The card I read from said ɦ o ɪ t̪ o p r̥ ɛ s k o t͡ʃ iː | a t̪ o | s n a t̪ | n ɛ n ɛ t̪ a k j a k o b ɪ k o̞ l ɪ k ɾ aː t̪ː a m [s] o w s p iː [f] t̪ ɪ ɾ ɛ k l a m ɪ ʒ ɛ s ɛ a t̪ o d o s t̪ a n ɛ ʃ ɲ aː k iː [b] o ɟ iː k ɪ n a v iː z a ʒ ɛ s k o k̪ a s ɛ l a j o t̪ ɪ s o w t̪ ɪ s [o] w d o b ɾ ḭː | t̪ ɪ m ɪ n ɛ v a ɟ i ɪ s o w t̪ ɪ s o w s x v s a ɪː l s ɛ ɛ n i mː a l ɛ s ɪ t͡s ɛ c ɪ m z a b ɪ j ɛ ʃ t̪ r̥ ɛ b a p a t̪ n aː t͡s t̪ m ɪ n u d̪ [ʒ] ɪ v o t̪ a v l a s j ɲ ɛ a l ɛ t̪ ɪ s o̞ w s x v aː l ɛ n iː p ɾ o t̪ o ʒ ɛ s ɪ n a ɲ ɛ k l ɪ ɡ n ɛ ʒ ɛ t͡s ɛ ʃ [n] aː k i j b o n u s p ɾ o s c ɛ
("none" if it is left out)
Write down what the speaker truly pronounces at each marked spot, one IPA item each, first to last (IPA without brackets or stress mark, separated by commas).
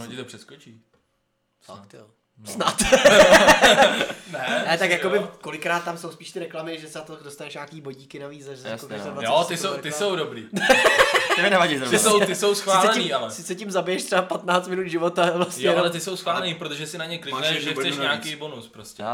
s, ʃ, b, o, ʒ, ɲ